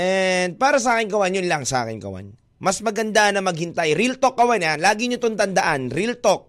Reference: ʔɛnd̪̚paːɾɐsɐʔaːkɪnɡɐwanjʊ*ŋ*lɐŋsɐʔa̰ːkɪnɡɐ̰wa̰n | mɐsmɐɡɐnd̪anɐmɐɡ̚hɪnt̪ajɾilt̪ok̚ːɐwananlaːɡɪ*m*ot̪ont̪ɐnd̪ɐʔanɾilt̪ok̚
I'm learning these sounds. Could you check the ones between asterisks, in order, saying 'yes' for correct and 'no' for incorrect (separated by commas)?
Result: no, no